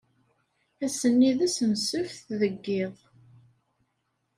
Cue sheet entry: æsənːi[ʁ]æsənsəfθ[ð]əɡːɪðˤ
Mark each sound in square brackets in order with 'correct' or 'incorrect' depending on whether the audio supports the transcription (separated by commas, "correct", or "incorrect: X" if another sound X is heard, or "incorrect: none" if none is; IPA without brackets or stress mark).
incorrect: ð, correct